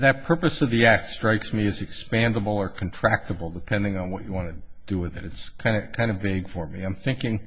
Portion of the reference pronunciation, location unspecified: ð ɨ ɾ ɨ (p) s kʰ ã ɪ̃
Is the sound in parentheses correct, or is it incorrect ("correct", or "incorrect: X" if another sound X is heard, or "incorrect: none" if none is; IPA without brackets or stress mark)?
incorrect: t